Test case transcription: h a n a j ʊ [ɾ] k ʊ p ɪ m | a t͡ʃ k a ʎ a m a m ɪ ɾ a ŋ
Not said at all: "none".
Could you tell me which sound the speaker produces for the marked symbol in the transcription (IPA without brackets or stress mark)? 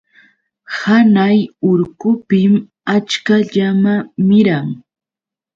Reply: ɾ